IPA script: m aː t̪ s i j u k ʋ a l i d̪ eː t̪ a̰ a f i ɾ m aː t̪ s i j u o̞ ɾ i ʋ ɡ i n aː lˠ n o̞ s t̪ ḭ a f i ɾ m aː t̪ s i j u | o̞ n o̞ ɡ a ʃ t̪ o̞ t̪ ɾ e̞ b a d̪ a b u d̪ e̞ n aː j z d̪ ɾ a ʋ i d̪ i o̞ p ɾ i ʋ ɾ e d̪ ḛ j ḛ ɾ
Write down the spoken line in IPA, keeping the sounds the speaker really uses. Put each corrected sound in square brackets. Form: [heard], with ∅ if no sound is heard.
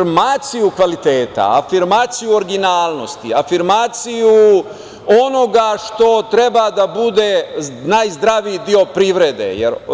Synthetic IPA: m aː t̪ s i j u k ʋ a l i [t̪] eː t̪ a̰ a f i ɾ m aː t̪ s i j u o̞ ɾ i [∅] ɡ i n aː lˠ n o̞ s t̪ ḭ a f i ɾ m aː t̪ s i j u | o̞ n o̞ ɡ a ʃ t̪ o̞ t̪ ɾ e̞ b a d̪ a b u d̪ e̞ n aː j z d̪ ɾ a ʋ i d̪ i o̞ p ɾ i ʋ ɾ e d̪ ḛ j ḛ ɾ